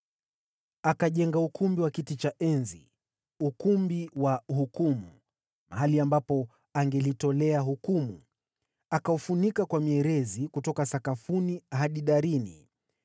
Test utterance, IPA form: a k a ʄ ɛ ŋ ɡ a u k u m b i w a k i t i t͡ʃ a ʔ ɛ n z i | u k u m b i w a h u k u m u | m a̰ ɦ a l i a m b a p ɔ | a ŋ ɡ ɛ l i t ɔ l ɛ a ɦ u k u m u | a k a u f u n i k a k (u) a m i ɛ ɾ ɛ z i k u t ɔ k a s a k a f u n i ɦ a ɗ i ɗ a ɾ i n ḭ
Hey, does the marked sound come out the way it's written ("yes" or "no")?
no